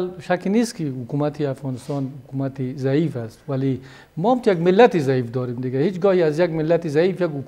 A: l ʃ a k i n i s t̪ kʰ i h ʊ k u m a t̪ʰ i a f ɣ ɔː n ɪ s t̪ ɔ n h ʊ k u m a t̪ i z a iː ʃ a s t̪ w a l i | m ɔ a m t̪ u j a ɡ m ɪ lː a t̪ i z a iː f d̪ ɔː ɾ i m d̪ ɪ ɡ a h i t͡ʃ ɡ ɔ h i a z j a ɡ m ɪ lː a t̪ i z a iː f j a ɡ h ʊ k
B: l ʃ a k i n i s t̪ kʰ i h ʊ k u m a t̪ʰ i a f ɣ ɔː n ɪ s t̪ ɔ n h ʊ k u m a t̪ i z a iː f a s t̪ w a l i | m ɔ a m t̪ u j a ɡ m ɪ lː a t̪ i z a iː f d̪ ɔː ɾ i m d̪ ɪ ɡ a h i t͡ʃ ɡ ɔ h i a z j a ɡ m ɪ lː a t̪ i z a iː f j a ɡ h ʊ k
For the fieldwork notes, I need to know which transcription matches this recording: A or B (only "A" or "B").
B